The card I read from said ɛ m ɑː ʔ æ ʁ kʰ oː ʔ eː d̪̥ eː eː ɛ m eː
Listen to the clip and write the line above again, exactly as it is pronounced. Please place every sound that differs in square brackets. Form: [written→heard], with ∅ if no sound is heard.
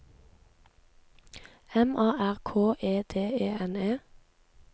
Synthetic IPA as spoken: ɛ m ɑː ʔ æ ʁ kʰ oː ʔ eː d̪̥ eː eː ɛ [m→n] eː